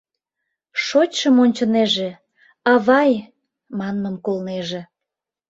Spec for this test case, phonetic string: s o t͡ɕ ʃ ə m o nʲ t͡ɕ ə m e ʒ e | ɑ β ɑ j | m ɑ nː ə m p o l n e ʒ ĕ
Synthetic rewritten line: ʃ o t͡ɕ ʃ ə m o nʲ t͡ɕ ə n e ʒ e | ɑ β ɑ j | m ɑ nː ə m k o l n e ʒ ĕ